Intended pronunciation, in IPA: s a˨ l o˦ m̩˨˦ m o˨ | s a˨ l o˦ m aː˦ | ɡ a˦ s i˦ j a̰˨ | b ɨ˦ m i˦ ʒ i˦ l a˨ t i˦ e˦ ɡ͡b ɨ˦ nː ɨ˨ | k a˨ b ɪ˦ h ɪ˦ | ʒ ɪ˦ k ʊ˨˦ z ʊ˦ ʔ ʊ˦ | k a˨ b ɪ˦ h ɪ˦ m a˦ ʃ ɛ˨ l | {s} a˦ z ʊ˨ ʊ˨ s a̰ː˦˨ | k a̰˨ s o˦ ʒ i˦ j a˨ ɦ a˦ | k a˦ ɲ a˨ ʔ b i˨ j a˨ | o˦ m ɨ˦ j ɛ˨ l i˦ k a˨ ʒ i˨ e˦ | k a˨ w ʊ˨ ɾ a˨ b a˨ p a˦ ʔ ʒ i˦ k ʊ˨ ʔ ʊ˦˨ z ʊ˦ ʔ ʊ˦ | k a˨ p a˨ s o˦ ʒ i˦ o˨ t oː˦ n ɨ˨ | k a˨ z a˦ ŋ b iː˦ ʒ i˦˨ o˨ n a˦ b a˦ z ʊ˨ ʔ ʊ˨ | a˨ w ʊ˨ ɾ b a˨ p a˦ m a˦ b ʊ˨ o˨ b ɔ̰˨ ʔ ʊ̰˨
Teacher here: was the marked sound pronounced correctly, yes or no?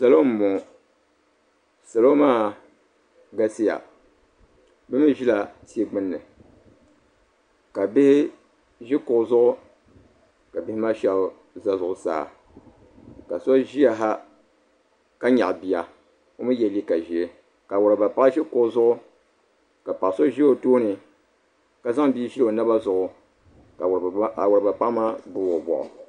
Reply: no